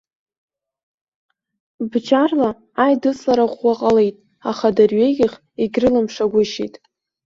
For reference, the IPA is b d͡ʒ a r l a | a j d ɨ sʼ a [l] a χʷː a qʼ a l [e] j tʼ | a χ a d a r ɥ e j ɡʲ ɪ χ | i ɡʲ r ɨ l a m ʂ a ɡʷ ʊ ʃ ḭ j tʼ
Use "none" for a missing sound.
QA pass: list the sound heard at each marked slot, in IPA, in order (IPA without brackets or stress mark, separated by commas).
ɾ, e